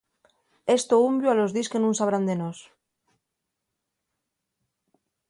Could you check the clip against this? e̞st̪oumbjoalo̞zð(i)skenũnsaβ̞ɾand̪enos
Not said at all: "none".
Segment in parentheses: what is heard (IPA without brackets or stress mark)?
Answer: i